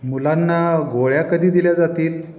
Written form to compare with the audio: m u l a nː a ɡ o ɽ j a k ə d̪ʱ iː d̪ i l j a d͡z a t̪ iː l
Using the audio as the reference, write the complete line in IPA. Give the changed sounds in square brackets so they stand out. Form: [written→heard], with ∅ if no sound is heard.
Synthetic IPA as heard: m u l a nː a ɡ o [ɽ→ɭ] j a k ə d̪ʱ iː d̪ i l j a d͡z a t̪ iː l